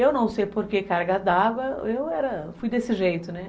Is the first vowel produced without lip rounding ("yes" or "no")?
yes